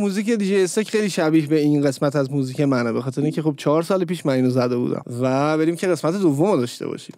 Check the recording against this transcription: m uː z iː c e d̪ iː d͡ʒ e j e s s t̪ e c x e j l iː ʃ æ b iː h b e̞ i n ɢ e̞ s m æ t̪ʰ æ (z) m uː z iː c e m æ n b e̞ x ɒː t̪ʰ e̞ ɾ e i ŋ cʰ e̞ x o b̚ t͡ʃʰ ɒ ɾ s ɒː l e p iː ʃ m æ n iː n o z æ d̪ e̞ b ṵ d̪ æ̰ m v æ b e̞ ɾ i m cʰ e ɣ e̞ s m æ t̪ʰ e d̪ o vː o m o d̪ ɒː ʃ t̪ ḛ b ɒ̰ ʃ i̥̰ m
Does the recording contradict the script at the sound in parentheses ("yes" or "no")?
no